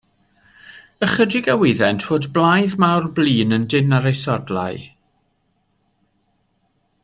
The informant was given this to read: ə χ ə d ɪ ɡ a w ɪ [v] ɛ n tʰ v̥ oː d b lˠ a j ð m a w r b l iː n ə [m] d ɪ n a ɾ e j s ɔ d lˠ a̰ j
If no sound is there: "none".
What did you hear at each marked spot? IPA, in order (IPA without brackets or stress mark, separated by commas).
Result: ð, n